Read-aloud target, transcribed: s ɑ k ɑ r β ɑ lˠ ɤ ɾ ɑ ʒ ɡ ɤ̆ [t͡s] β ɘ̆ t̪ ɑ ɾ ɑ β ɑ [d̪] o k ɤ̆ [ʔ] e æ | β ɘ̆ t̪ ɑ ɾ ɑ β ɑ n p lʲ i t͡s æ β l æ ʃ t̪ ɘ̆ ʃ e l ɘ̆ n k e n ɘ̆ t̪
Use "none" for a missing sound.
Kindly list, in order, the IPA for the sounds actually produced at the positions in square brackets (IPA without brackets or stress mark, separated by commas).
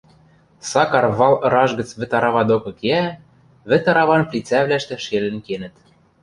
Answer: t͡s, d̪, k